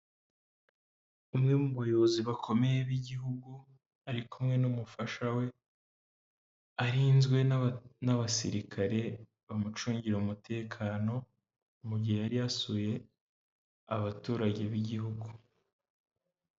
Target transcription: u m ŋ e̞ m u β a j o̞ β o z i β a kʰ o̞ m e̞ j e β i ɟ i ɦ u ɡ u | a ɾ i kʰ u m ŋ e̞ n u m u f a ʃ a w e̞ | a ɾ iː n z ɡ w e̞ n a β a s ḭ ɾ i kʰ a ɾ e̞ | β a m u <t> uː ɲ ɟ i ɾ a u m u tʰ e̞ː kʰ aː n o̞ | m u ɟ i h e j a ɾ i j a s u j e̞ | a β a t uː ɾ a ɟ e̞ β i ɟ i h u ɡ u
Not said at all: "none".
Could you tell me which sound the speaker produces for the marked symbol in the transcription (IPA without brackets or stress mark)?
t͡ʃ